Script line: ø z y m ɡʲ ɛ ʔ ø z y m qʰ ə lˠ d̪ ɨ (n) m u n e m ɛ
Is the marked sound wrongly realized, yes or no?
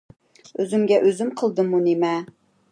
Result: yes